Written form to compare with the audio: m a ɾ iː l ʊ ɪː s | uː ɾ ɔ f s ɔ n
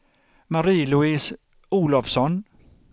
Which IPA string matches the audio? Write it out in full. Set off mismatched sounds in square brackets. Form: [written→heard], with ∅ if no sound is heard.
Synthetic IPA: m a ɾ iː l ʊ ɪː s | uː [ɾ→l] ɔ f s ɔ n